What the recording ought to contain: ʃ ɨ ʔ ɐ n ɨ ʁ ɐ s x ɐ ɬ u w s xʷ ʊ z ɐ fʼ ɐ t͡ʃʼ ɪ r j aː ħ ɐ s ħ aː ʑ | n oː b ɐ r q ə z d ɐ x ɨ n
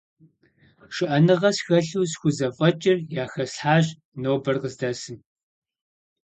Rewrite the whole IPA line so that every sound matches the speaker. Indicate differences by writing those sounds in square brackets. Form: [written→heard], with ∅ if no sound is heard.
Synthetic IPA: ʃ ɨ ʔ ɐ n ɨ ʁ ɐ s x ɐ ɬ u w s xʷ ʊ z ɐ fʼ ɐ t͡ʃʼ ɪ r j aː [ħ→x] ɐ s ħ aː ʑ | n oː b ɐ r q ə z d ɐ [x→s] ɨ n